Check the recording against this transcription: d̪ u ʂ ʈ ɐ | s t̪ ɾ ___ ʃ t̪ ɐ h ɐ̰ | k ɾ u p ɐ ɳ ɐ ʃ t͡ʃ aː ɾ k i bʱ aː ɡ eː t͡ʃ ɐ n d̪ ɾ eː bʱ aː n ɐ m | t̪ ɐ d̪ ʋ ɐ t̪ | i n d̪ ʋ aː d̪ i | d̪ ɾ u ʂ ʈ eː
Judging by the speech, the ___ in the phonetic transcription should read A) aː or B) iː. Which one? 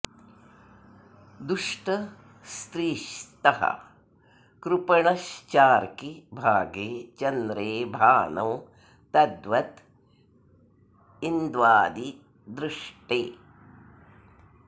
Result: B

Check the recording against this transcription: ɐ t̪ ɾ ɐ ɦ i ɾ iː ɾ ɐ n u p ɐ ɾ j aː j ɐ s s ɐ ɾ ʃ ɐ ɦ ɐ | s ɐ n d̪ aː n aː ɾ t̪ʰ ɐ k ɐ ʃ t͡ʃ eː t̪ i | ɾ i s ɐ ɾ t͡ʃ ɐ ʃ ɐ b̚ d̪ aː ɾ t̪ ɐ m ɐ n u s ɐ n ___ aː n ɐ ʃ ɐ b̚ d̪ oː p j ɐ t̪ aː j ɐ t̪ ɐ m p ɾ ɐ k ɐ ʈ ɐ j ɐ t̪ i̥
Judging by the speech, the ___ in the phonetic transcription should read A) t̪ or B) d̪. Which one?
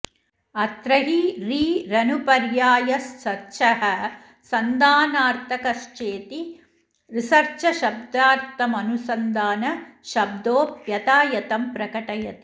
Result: B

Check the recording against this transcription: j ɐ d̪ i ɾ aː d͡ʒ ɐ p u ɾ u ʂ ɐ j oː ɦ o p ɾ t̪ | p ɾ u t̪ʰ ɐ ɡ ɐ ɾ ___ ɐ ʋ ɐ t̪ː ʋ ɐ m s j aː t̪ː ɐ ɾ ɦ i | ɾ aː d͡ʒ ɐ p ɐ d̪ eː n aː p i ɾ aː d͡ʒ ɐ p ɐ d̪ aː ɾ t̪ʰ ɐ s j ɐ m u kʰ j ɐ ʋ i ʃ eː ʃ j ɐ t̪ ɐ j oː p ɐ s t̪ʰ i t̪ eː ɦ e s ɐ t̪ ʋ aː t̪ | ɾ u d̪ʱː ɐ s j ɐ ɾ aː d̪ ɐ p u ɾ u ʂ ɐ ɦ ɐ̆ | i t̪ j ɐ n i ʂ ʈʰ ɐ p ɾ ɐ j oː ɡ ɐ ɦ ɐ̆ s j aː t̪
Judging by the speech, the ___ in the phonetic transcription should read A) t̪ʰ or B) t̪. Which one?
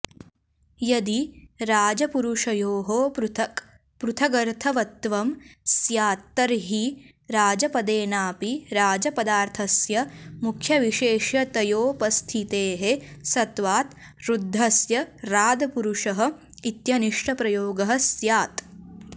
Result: A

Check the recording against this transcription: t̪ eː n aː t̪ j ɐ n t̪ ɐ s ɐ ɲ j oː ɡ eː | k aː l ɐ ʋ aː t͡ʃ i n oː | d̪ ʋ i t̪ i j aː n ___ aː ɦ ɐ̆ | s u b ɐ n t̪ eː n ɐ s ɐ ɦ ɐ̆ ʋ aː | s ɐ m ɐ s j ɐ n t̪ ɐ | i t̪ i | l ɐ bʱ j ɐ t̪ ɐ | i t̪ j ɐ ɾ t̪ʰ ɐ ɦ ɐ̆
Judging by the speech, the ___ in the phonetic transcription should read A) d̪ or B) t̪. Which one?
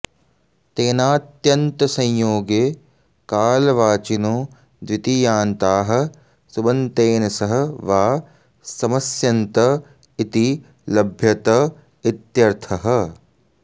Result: B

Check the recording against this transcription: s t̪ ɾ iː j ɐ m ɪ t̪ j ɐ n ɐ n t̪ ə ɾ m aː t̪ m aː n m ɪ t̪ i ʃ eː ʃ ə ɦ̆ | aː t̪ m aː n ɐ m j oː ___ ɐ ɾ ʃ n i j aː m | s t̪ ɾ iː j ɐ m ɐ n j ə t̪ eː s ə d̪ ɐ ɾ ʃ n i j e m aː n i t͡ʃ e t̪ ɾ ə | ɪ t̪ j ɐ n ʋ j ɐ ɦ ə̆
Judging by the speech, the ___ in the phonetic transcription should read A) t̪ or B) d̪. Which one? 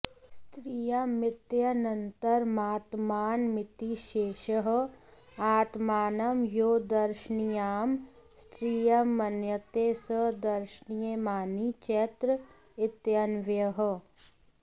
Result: B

